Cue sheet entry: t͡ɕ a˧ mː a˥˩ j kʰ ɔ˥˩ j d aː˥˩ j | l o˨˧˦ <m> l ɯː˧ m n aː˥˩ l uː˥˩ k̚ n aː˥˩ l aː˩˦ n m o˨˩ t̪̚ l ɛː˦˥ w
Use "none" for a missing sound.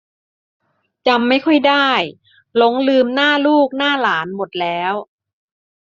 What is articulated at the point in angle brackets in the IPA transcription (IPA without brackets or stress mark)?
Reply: ŋ